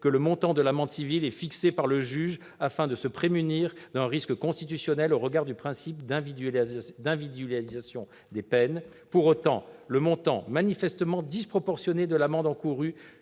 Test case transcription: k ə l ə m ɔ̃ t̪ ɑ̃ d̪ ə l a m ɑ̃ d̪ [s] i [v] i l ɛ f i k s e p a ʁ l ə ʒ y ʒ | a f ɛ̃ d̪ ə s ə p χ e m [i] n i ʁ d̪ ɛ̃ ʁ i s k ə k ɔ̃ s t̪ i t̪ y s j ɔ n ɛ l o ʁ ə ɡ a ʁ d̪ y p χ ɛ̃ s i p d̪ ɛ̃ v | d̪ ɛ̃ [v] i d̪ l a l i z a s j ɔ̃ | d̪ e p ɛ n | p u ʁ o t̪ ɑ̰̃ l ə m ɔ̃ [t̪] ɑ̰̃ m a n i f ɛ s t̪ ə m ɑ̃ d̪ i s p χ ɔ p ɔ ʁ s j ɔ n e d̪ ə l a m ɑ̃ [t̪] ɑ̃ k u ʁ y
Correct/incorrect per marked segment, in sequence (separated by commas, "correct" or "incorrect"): correct, correct, incorrect, correct, correct, incorrect